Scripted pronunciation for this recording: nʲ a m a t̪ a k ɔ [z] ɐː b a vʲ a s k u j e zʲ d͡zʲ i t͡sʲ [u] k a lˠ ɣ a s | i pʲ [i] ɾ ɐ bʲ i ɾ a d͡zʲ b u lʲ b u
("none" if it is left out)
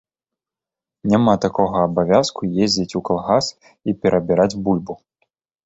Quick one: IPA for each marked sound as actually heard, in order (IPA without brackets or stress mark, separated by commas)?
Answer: ɣ, u, ɛ